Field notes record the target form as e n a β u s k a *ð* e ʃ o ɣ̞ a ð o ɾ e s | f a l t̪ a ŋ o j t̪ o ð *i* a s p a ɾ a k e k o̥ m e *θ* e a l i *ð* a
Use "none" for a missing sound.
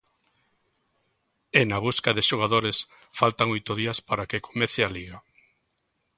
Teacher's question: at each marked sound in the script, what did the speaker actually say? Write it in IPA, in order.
ð, i, θ, ɣ

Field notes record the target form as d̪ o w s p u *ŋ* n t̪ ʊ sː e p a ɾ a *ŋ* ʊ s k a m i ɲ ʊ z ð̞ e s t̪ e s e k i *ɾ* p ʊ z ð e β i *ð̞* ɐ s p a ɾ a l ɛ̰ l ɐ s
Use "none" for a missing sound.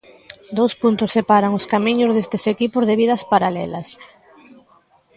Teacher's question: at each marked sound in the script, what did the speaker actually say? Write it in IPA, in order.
none, ŋ, none, ð̞

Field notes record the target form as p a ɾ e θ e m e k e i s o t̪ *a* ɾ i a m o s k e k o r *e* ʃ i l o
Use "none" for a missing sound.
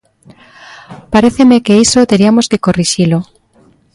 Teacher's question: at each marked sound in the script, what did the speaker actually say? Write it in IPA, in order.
e, i

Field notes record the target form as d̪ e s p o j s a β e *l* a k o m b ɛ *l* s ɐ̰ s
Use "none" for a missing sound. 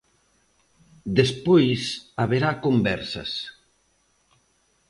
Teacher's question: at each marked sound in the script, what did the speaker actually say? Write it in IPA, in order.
ɾ, ɾ

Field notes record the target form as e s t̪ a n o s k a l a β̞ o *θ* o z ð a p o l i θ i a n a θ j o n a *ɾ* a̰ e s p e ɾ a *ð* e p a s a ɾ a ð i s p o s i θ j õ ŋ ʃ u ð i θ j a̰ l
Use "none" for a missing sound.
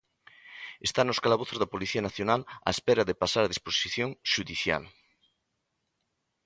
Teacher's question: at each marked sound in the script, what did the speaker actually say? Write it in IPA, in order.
θ, l, ð

